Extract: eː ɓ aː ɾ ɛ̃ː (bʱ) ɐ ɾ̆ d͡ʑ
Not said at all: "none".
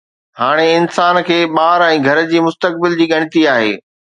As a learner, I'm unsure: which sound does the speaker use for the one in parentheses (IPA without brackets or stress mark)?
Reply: ɡʱ